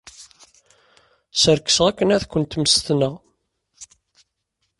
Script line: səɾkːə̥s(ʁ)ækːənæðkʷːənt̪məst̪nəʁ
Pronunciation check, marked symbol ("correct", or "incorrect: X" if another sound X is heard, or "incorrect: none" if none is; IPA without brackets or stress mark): correct